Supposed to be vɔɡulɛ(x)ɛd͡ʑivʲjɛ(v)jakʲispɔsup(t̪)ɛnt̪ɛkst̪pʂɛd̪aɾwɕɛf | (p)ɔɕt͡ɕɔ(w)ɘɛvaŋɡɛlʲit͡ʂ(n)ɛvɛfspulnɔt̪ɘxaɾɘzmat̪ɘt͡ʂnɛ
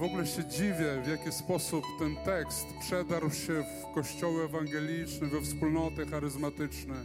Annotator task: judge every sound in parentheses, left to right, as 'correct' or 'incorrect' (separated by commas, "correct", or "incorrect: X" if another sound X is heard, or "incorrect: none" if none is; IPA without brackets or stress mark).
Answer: incorrect: ɕ, correct, correct, incorrect: k, correct, correct